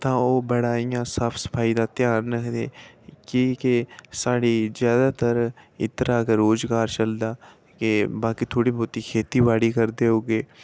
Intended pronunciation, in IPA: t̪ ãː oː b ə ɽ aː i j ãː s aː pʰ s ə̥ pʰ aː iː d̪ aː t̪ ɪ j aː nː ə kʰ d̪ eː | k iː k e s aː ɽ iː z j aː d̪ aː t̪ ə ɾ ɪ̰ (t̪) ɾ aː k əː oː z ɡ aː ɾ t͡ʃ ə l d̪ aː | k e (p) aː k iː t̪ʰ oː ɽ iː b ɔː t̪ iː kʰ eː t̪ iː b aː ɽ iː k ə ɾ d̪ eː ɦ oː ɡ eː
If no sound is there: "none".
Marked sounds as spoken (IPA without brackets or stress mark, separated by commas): t̪, b